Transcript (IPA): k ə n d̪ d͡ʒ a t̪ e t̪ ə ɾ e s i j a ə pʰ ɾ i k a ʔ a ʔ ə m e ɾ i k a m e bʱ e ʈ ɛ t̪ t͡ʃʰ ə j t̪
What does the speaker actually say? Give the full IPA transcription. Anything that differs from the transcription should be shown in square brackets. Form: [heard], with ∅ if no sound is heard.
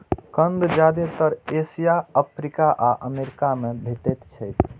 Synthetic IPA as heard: k ə n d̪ d͡ʒ a [d̪] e t̪ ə ɾ e s i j a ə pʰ ɾ i k a ʔ a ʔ ə m e ɾ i k a m e bʱ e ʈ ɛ t̪ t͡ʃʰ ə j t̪